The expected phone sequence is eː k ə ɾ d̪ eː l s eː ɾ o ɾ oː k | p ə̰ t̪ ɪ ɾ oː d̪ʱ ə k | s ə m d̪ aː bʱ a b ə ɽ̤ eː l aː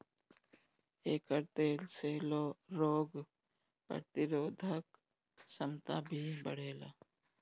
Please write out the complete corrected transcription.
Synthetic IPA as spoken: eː k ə ɾ t̪ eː l s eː l o ɾ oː ɡ | p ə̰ t̪ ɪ ɾ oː d̪ʱ ə k | s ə m t̪ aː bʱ i b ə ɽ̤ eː l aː